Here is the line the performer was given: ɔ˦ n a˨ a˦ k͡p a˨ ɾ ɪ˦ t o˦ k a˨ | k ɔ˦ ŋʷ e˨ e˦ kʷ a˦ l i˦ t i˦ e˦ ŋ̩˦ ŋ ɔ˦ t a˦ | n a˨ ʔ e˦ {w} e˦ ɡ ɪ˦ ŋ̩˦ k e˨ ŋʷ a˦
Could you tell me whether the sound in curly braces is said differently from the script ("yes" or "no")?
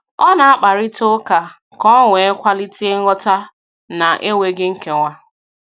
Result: no